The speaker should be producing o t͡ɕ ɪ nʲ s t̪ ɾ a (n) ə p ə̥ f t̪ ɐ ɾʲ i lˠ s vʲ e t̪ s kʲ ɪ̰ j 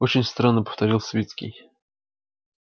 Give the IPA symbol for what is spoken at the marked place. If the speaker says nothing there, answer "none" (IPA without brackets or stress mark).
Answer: nː